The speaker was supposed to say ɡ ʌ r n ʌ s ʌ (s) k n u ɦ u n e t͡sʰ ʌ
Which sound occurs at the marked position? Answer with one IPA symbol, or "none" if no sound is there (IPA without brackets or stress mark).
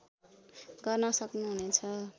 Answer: none